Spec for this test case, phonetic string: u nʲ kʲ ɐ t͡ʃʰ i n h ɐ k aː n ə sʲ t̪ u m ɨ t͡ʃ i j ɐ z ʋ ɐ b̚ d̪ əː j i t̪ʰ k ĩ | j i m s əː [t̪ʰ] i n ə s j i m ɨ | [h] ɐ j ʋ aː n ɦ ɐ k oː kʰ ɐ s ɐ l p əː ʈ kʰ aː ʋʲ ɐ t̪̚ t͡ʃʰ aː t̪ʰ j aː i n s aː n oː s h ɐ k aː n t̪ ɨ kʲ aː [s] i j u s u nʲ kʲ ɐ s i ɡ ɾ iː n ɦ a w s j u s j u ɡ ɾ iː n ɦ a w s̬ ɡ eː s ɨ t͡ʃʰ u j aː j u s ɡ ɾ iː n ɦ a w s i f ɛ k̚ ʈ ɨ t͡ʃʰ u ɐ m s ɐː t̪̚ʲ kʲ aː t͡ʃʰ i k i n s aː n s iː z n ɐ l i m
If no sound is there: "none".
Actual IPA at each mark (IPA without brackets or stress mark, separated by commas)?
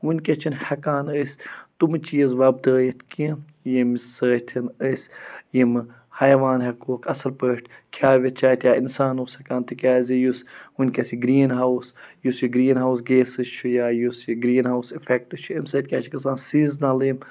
t̪ʰ, h, z